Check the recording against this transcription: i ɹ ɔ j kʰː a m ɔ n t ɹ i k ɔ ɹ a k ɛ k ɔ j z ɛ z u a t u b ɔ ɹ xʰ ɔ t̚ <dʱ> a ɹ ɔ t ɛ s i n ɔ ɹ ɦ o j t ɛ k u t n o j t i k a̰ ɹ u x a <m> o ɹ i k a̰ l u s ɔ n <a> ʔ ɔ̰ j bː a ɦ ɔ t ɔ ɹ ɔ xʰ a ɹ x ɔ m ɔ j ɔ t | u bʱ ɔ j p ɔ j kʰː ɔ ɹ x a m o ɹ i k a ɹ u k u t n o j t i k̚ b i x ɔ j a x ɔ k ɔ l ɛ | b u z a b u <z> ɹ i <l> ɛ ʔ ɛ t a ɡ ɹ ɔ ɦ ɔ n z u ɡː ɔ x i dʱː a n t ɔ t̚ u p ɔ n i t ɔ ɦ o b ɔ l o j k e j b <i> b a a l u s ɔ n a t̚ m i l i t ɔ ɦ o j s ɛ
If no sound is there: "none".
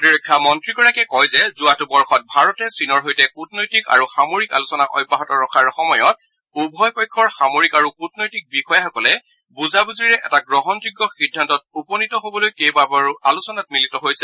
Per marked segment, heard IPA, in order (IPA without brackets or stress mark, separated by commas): bʱ, m, a, z, ɹ, a